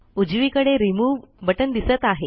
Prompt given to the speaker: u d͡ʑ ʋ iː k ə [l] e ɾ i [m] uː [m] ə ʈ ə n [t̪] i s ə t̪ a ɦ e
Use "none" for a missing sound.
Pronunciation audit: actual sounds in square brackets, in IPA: ɽ, m, b, d̪

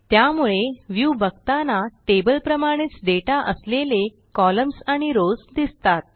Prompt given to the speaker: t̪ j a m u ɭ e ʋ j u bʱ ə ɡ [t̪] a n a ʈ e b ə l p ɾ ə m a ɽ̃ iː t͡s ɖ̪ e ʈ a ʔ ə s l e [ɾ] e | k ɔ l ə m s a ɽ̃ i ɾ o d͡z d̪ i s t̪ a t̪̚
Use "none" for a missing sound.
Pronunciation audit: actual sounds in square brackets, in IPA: t̪, l

